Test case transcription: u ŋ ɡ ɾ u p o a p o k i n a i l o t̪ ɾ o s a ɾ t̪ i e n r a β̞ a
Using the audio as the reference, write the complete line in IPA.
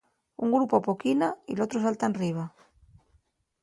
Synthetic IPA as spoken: u ŋ ɡ ɾ u p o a p o k i n a i l o t̪ ɾ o s a l t̪ a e n r i β̞ a